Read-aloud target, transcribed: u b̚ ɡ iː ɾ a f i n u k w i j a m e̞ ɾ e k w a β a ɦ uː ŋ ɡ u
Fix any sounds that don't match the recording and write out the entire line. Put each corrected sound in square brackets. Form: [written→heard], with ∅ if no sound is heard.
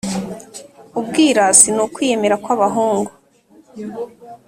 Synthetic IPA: u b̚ ɡ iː ɾ a [f→s] i n u k w i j [a→e] m e̞ ɾ [e→a] k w a β a ɦ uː ŋ ɡ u